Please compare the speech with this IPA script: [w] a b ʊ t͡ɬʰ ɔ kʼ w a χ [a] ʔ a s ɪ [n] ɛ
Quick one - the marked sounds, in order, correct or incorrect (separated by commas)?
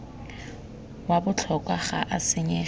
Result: correct, correct, incorrect